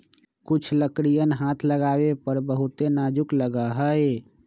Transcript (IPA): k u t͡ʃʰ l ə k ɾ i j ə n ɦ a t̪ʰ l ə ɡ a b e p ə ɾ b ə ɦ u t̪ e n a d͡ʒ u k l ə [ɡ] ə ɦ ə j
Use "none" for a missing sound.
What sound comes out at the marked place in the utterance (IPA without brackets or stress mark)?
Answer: ɡ